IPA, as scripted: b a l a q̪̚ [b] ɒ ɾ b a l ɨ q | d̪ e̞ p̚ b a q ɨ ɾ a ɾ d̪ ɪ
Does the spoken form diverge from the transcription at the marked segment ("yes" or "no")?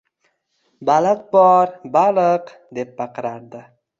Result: no